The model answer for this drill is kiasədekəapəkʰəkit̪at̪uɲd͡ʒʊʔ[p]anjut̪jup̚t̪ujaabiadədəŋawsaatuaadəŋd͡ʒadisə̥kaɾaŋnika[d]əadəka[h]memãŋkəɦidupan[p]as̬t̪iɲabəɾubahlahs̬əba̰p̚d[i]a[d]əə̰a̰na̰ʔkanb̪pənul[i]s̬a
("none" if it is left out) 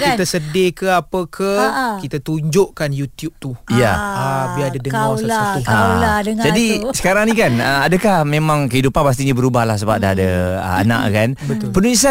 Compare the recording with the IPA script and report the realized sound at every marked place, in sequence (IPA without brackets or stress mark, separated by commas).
k, n, h, p, a, d, i